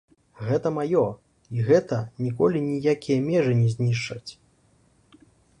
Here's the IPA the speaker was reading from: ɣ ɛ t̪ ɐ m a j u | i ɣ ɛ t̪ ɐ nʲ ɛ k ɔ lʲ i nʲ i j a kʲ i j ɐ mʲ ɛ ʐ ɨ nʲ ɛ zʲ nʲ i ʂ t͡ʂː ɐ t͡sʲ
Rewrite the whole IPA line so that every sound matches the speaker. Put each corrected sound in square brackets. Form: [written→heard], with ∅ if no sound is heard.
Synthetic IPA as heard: ɣ ɛ t̪ ɐ m a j [u→ɔ] | i ɣ ɛ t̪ ɐ nʲ [ɛ→i] k ɔ lʲ i nʲ i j a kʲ i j ɐ mʲ ɛ ʐ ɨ nʲ ɛ zʲ nʲ i ʂ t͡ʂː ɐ t͡sʲ